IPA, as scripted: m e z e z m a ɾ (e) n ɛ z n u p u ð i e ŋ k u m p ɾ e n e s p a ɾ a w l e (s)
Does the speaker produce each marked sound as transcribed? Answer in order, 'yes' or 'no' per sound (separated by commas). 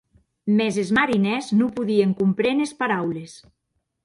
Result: no, yes